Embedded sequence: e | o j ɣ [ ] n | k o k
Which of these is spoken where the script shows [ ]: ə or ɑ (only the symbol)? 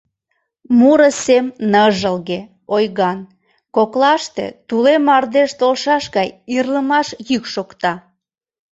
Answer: ɑ